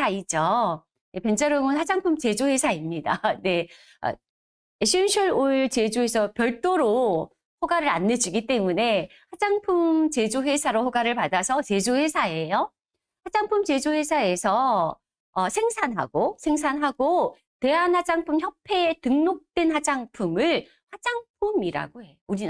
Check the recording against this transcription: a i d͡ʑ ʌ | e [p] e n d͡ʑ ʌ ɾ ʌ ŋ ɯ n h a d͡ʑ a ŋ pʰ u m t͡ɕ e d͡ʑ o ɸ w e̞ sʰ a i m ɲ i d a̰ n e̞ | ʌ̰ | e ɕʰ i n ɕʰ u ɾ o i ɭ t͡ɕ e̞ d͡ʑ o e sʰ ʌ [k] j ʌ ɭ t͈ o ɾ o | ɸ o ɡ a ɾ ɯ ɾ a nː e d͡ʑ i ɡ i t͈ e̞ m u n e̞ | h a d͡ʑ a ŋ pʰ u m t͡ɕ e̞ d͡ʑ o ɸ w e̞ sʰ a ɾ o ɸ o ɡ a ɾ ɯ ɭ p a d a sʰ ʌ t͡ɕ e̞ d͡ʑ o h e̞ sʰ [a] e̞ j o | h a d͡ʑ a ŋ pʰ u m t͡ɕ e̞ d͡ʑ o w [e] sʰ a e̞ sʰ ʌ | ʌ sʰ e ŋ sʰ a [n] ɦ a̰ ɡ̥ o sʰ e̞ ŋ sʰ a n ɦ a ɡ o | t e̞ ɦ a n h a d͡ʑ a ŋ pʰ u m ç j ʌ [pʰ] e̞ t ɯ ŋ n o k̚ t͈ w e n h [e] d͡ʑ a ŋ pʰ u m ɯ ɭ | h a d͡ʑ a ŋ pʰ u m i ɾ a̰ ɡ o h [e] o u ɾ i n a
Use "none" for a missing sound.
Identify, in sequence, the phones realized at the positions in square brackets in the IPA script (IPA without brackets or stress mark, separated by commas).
p, p, a, e, n, pʰ, a, e